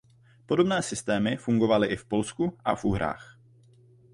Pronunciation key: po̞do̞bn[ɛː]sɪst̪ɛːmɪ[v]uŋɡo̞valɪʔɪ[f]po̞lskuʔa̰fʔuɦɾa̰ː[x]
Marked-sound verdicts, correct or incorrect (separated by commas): correct, incorrect, correct, correct